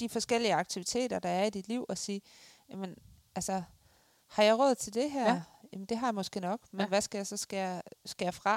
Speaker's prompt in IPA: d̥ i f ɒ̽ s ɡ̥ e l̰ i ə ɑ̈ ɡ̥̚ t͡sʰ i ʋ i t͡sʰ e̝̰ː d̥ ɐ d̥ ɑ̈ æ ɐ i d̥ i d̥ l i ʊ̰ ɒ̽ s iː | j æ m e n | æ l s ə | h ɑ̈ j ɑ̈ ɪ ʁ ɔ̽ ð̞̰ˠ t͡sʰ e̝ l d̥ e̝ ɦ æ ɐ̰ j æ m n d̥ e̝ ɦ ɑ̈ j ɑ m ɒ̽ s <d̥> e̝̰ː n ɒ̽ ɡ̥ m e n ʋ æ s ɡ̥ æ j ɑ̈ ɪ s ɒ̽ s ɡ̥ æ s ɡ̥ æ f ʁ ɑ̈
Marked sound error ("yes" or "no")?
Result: yes